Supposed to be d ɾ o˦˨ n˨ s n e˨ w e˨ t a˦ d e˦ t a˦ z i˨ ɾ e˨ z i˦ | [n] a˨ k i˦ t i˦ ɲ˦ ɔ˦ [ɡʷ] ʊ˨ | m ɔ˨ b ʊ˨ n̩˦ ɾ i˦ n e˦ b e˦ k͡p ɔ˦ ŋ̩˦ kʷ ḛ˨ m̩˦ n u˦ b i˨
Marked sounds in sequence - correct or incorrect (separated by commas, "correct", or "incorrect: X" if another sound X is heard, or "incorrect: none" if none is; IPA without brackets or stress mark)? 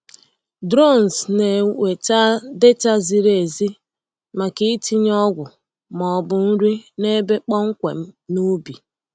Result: incorrect: m, correct